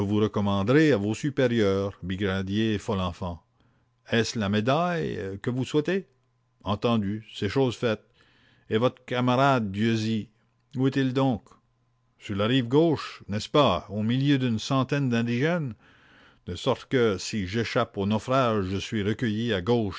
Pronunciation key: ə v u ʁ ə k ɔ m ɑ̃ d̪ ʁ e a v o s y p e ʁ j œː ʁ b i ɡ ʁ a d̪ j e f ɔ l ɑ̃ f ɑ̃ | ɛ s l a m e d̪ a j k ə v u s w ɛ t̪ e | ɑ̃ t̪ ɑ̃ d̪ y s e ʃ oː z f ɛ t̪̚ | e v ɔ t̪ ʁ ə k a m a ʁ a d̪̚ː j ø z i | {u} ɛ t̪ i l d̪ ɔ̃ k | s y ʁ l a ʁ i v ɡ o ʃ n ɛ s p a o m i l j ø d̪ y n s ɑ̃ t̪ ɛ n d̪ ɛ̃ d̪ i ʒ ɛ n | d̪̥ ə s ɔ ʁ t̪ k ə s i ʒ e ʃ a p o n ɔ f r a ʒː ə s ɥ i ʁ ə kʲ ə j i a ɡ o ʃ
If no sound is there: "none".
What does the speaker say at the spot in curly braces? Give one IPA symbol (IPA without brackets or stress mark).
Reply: u